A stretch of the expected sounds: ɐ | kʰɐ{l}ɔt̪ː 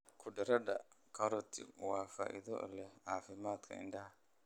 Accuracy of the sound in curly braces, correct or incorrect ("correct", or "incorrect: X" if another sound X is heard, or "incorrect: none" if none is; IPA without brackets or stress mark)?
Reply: incorrect: ɾ